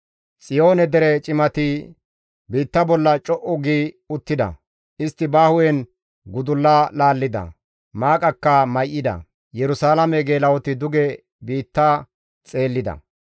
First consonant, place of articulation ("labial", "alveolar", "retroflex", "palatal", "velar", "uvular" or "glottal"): alveolar